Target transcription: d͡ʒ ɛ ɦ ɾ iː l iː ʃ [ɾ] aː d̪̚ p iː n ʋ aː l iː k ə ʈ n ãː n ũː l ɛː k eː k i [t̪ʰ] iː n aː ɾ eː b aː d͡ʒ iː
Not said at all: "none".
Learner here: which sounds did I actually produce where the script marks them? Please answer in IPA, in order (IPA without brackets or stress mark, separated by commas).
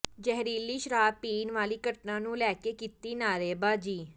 ɾ, t̪